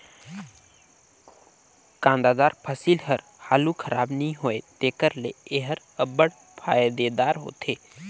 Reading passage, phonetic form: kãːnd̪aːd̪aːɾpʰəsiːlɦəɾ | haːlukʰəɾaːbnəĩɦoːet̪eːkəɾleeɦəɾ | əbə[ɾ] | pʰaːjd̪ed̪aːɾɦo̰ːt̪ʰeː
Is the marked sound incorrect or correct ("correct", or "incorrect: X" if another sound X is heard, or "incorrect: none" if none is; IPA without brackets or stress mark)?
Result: incorrect: ɽ